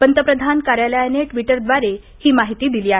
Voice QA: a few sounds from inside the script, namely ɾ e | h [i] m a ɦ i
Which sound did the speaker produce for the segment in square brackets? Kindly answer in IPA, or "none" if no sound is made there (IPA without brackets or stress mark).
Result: iː